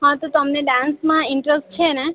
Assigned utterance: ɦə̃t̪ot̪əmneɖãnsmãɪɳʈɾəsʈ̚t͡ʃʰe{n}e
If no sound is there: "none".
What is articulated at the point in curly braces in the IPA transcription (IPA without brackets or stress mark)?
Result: n